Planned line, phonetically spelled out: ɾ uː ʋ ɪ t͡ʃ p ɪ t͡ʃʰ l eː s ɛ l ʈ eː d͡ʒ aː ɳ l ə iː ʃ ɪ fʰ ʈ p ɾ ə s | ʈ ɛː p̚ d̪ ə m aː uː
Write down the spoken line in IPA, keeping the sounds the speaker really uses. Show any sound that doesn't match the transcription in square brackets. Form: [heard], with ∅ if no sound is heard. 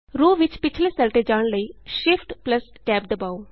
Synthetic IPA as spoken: ɾ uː ʋ ɪ t͡ʃ p ɪ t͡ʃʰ l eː s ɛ l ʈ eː d͡ʒ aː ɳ l ə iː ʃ ɪ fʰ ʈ p [l] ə s | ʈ ɛː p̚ d̪ ə [b] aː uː

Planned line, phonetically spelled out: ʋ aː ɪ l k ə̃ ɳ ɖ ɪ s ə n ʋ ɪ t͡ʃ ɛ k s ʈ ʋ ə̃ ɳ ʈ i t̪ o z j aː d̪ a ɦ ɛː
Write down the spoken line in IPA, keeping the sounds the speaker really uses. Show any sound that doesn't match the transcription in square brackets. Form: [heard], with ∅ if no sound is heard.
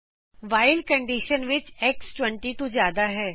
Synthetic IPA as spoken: ʋ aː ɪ l k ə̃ ɳ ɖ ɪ [ʃ] ə n ʋ ɪ t͡ʃ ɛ k s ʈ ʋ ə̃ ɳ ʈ i t̪ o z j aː d̪ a ɦ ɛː

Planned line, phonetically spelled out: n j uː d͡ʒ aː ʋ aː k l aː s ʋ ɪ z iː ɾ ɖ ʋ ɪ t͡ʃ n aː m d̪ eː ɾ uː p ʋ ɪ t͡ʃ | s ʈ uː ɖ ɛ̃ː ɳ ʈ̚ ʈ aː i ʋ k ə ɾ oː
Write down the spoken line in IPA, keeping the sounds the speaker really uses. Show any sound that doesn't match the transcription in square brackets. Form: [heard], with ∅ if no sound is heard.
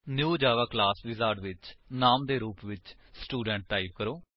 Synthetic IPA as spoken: n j uː d͡ʒ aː ʋ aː k l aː s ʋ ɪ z [aː] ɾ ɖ ʋ ɪ t͡ʃ n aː m d̪ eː ɾ uː p ʋ ɪ t͡ʃ | s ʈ uː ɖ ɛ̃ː ɳ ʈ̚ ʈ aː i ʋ k ə ɾ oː

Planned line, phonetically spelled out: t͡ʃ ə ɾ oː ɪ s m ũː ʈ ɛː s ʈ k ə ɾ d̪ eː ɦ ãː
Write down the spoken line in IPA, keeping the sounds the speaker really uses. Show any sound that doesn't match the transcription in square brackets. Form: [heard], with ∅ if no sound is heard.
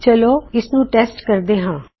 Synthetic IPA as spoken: t͡ʃ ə [l] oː ɪ s [n] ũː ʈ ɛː s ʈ k ə ɾ d̪ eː ɦ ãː

